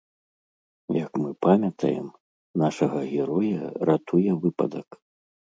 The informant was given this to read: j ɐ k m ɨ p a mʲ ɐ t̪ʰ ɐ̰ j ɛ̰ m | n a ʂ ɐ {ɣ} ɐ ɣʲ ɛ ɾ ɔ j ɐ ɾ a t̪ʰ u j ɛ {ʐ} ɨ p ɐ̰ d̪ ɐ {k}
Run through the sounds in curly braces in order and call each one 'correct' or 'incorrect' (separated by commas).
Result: correct, incorrect, correct